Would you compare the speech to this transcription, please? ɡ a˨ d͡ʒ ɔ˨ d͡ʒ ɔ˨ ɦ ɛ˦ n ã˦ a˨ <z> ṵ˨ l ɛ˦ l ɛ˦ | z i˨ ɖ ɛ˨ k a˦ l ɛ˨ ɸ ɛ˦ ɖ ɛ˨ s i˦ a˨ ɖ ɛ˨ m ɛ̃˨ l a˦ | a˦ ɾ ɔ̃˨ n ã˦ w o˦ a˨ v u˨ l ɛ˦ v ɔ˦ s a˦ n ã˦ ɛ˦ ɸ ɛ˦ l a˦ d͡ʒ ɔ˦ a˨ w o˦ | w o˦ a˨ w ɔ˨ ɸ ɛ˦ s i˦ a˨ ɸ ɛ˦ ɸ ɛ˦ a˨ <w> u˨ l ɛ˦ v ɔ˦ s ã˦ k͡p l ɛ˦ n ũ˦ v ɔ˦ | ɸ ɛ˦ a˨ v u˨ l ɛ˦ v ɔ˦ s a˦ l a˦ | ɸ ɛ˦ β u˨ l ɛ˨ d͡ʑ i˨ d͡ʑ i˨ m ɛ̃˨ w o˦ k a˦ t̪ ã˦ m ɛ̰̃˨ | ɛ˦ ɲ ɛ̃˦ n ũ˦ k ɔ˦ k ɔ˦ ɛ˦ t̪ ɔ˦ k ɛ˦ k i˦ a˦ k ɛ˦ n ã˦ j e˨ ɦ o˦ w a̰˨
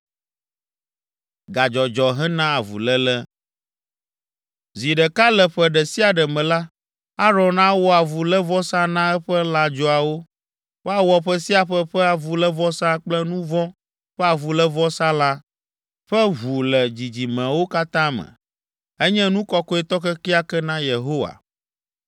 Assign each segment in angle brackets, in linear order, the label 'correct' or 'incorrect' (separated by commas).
incorrect, incorrect